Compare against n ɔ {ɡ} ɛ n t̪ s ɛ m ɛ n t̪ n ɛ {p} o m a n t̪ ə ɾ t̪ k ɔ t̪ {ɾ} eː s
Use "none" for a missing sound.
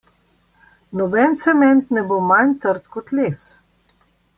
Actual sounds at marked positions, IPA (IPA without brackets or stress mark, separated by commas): b, b, l